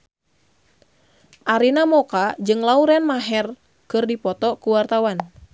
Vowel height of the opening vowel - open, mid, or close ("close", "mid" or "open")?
open